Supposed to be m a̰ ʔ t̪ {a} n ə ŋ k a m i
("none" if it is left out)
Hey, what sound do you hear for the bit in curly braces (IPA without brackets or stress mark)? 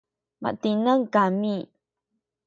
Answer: i